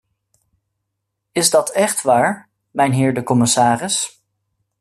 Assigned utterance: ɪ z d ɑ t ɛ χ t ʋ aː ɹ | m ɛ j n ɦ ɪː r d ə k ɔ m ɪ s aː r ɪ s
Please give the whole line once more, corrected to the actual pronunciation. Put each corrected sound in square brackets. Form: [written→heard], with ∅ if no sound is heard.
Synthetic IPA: ɪ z d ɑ t ɛ χ t ʋ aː ɹ | m ɛ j n ɦ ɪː [r→ɹ] d ə k ɔ m ɪ s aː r ɪ s